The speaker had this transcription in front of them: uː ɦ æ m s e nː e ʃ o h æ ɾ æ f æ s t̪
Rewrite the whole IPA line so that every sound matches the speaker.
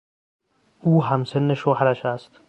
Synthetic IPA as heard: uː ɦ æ m s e nː e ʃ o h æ ɾ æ ʃ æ s t̪